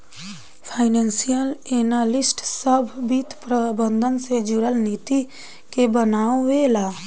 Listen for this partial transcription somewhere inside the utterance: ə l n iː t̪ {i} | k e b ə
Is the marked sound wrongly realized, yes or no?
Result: no